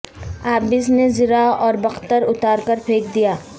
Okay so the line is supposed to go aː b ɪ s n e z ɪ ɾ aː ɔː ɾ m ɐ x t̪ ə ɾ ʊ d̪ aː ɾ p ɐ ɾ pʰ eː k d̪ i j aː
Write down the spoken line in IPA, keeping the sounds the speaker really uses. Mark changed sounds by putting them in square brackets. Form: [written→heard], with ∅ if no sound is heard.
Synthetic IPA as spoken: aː b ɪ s n e z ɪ ɾ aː ɔː ɾ [m→b] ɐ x t̪ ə ɾ ʊ [d̪→t̪] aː ɾ [p→k] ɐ ɾ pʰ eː k d̪ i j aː

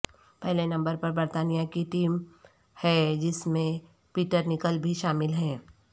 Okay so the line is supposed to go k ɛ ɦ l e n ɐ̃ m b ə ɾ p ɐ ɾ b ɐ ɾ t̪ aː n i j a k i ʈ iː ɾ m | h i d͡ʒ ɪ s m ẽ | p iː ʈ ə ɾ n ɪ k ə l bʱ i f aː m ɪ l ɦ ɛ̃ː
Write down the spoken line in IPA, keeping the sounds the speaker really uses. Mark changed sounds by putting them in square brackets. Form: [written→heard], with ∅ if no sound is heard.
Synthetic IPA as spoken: [k→p] ɛ ɦ l e n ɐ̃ m b ə ɾ p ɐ ɾ b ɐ ɾ t̪ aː n i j a k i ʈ iː [ɾ→∅] m | h [i→ɛ] d͡ʒ ɪ s m ẽ | p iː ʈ ə ɾ n ɪ k ə l bʱ i [f→ʃ] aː m ɪ l ɦ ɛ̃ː

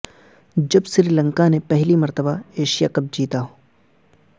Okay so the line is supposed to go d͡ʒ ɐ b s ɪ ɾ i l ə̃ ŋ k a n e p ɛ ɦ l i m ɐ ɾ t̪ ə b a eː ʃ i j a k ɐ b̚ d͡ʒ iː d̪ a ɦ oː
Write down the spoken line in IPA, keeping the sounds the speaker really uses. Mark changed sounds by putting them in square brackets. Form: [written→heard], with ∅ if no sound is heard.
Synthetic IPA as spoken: d͡ʒ ɐ b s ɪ ɾ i l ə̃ ŋ k a n e p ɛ ɦ l i m ɐ ɾ t̪ ə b a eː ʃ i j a k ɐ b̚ d͡ʒ iː [d̪→t̪] a ɦ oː

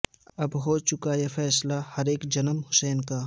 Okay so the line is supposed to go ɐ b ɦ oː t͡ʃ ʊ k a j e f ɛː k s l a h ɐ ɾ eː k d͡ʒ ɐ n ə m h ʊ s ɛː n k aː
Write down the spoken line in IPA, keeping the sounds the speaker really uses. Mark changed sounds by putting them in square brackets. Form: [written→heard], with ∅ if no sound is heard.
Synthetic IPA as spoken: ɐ b ɦ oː t͡ʃ ʊ k a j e f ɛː [k→∅] s l a h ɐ ɾ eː k d͡ʒ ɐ n ə m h ʊ s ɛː n k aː

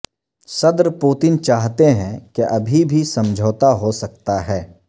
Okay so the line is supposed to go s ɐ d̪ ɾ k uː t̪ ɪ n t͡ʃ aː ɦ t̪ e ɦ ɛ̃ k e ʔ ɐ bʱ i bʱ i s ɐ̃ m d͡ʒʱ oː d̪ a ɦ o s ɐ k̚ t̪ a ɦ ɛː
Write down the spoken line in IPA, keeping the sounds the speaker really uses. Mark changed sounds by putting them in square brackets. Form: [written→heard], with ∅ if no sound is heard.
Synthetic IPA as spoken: s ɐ d̪ ɾ [k→p] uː t̪ ɪ n t͡ʃ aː ɦ t̪ e ɦ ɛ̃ k e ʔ ɐ bʱ i bʱ i s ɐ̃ m d͡ʒʱ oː [d̪→t̪] a ɦ o s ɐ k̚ t̪ a ɦ ɛː

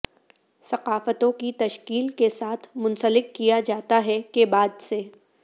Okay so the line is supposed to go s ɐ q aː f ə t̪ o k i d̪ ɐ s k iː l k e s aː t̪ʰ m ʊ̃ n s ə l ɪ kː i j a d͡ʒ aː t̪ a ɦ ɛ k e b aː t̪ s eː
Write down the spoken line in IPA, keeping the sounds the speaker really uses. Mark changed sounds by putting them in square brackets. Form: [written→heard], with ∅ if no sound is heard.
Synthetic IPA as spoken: s ɐ q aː f ə t̪ [o→õ] k i [d̪→t̪] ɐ [s→ʃ] k iː l k e s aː t̪ʰ m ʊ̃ n s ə l ɪ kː i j a d͡ʒ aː t̪ a ɦ ɛ k e b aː [t̪→d̪] s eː

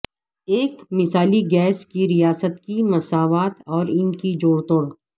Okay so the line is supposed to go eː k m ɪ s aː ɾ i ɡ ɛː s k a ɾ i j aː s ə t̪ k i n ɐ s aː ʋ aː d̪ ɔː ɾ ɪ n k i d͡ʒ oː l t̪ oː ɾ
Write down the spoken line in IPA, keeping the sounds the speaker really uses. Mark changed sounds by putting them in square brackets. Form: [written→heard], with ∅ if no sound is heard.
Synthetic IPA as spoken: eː k m ɪ s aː [ɾ→l] i ɡ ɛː s k [a→i] ɾ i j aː s ə t̪ k i [n→m] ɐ s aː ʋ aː [d̪→t̪] ɔː ɾ ɪ n k i d͡ʒ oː [l→ɽ] t̪ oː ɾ

